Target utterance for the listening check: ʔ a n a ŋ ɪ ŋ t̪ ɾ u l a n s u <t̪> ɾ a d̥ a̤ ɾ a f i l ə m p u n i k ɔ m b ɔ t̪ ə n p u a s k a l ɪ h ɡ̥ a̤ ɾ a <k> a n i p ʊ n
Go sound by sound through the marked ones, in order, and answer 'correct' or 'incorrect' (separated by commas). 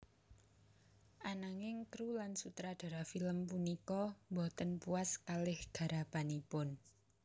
correct, incorrect